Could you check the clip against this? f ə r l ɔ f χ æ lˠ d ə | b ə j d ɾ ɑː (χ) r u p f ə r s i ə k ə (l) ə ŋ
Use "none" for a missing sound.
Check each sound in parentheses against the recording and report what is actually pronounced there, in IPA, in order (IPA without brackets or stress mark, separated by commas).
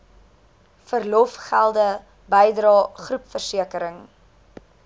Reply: χ, ɾ